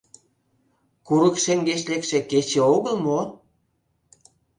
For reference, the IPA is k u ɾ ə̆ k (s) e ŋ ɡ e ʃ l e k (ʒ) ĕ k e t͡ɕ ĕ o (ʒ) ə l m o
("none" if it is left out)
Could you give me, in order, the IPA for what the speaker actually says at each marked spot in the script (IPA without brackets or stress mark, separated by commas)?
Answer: ʃ, ʃ, ɣ